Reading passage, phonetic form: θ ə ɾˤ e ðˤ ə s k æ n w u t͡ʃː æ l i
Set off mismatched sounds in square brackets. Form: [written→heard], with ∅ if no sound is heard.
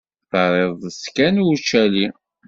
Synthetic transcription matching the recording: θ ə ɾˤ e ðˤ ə s k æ n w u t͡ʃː æ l i